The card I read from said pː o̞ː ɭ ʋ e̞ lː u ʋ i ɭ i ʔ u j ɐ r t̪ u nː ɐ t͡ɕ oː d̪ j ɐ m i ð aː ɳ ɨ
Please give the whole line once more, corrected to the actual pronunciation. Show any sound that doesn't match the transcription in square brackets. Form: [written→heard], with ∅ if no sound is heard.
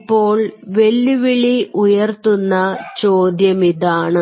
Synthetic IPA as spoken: pː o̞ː ɭ ʋ e̞ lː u ʋ i ɭ i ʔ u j ɐ r t̪ u nː ɐ t͡ɕ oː d̪ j ɐ m i ð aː ɳ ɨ